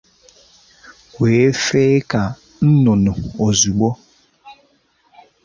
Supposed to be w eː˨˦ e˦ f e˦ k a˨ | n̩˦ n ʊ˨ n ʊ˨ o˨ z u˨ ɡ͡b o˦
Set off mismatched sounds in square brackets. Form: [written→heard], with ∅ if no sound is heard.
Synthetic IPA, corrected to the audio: w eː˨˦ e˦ f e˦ k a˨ | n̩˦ n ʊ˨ n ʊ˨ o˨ z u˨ ɡ͡b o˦